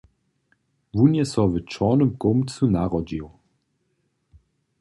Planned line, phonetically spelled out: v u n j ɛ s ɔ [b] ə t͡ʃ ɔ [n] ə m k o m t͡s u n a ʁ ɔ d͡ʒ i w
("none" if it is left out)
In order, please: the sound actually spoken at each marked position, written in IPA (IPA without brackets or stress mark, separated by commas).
v, n